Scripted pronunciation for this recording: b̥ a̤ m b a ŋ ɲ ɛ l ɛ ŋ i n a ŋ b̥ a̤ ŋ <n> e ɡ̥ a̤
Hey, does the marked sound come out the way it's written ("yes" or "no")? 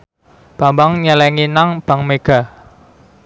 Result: no